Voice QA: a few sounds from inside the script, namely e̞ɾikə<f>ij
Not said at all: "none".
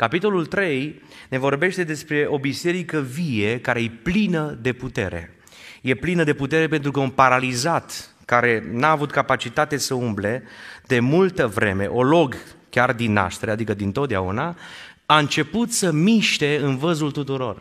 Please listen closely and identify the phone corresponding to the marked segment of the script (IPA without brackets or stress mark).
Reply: v